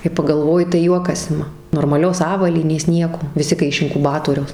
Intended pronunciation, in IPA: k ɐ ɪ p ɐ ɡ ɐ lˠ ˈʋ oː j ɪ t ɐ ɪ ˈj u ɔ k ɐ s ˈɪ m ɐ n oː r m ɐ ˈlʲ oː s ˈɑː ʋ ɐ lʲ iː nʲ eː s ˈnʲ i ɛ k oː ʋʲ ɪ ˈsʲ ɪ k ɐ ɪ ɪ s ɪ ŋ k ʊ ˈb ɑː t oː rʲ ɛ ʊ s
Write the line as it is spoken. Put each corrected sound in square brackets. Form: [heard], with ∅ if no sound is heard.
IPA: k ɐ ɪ p ɐ ɡ ɐ lˠ ˈʋ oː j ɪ t ɐ ɪ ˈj u ɔ k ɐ s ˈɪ m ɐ n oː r m ɐ ˈlʲ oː s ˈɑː ʋ ɐ lʲ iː nʲ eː s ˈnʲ i ɛ k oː ʋʲ ɪ ˈsʲ ɪ k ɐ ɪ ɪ [ʃ] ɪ ŋ k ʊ ˈb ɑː t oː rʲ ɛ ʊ s